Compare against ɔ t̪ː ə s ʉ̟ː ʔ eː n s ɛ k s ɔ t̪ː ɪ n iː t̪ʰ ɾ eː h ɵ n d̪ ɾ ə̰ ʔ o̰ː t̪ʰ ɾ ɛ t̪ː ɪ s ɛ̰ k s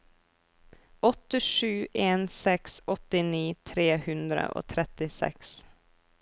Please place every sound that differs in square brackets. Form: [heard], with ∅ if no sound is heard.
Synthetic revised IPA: ɔ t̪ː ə [ʂ] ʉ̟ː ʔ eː n s ɛ k s ɔ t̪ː ɪ n iː t̪ʰ ɾ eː h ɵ n d̪ ɾ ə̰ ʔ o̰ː t̪ʰ ɾ ɛ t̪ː ɪ s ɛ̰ k s

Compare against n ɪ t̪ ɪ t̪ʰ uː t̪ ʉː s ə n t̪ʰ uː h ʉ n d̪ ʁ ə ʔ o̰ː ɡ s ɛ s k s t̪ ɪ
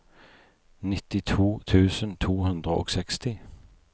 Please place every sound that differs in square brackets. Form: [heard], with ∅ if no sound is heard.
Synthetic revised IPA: n ɪ t̪ ɪ t̪ʰ uː [t̪ʰ] ʉː s ə n t̪ʰ uː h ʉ n d̪ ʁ ə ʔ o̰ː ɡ s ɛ [∅] k s t̪ ɪ

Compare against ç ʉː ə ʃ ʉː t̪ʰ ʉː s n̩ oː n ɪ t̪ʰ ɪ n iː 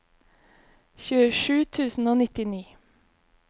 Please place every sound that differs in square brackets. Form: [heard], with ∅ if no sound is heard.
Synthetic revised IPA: ç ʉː ə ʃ ʉː t̪ʰ ʉː s n̩ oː n ɪ [t̪] ɪ n iː

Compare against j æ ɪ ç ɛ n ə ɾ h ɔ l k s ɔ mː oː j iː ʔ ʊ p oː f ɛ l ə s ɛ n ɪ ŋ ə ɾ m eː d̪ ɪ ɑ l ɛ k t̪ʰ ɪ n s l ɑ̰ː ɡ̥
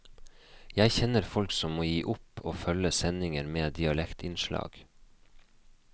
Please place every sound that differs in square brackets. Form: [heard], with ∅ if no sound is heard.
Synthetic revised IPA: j æ ɪ ç ɛ n ə ɾ [f] ɔ l k s ɔ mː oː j iː ʔ ʊ p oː f [œ] l ə s ɛ n ɪ ŋ ə ɾ m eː d̪ ɪ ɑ l ɛ k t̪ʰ ɪ n [ʃ] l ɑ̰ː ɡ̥

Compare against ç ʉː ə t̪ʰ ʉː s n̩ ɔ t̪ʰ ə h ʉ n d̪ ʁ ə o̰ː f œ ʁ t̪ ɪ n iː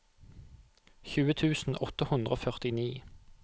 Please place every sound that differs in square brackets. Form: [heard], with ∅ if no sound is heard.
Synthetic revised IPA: ç ʉː ə t̪ʰ ʉː s n̩ ɔ [t̪] ə h ʉ n d̪ ʁ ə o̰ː f œ ʁ t̪ ɪ n iː

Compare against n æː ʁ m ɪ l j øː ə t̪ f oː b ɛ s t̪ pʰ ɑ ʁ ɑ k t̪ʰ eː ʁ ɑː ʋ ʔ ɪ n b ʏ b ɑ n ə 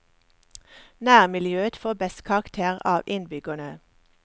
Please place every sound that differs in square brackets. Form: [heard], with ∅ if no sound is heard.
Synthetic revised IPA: n æː ʁ m ɪ l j øː ə t̪ f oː b ɛ s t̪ [kʰ] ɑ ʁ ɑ k t̪ʰ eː ʁ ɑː ʋ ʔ ɪ n b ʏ [ɡ] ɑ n ə

